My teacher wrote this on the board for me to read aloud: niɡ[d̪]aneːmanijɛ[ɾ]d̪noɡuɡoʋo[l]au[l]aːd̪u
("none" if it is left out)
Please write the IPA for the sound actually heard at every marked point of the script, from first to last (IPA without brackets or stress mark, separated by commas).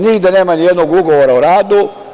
d̪, none, ɾ, ɾ